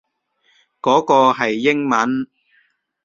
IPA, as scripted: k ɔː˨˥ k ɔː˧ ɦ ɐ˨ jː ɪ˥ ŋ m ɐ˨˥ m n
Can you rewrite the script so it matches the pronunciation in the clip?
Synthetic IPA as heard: k ɔː˨˥ k ɔː˧ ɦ ɐ˨ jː ɪ˥ ŋ m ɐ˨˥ n